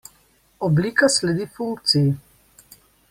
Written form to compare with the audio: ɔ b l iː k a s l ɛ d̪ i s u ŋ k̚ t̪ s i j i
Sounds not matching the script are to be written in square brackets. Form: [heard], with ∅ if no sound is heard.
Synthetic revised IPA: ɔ b l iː k a s l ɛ d̪ i [f] u ŋ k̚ t̪ s i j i